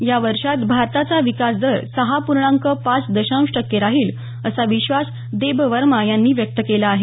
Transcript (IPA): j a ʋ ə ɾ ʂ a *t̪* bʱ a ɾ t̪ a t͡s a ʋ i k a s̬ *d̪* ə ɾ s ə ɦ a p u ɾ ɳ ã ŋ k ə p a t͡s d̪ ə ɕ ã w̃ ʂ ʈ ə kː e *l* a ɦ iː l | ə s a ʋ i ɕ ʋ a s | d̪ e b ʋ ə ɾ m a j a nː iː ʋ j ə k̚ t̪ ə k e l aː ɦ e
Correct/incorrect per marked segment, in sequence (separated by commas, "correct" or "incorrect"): correct, correct, incorrect